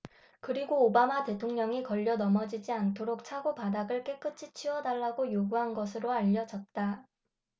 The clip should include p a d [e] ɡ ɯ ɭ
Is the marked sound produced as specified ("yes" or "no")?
no